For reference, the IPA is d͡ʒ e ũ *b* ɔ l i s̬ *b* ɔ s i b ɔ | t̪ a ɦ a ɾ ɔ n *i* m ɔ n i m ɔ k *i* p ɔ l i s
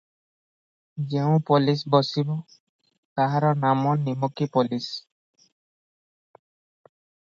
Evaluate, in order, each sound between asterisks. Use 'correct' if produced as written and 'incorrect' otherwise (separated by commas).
incorrect, correct, incorrect, correct